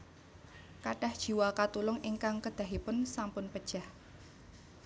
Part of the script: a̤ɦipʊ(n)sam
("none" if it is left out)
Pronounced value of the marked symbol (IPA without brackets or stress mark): n